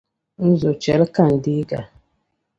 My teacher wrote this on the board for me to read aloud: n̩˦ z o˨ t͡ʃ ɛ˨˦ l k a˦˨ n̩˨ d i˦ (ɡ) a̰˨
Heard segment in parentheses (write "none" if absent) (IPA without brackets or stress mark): ɡ